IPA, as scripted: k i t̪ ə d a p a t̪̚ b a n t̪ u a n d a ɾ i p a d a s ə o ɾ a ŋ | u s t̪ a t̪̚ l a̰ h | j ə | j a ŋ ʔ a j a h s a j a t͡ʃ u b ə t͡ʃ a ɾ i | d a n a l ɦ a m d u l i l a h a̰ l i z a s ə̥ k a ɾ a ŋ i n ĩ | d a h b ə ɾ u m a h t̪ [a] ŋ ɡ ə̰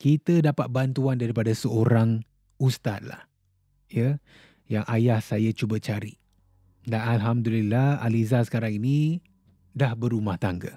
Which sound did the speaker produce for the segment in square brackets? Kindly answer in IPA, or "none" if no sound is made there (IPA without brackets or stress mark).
a